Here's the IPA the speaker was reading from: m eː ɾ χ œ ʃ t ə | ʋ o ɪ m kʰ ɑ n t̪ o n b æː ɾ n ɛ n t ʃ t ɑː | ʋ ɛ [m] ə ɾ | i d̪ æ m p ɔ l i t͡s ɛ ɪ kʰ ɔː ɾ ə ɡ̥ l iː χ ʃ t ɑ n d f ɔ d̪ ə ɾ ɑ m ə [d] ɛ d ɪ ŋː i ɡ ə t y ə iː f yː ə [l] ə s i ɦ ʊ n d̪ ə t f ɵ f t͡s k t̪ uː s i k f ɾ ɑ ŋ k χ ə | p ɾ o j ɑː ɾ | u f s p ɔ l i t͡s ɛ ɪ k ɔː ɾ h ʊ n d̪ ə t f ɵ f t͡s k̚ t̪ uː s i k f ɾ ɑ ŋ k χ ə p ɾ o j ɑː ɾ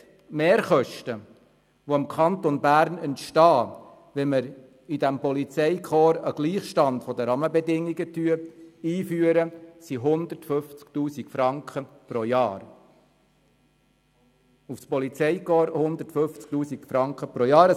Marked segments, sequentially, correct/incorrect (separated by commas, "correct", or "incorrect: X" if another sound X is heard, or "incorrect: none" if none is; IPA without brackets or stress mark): correct, incorrect: b, incorrect: ɾ